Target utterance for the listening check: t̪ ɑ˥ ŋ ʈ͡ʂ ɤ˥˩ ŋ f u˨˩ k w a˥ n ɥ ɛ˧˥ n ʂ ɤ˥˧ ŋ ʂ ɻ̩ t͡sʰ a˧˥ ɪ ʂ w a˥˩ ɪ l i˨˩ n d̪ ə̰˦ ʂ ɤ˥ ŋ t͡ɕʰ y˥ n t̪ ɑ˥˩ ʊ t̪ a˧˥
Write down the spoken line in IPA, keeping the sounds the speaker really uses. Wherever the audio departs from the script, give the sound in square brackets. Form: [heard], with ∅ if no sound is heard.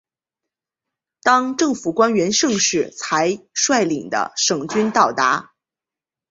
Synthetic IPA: t̪ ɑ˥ ŋ ʈ͡ʂ ɤ˥˩ ŋ f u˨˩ k w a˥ n ɥ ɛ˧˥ n ʂ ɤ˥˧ ŋ ʂ ɻ̩ t͡sʰ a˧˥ ɪ ʂ w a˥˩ ɪ l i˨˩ [ŋ] d̪ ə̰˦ ʂ [ɤ˨˩] ŋ [t͡ɕ] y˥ n t̪ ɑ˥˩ ʊ t̪ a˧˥